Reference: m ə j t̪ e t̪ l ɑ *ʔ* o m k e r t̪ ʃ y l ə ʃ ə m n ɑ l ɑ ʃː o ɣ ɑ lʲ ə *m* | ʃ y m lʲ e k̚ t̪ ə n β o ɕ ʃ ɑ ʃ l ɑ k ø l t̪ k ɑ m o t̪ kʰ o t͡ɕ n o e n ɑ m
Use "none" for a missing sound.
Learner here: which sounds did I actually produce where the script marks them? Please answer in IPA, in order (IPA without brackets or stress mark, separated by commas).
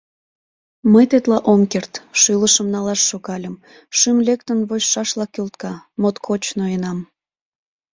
ʔ, m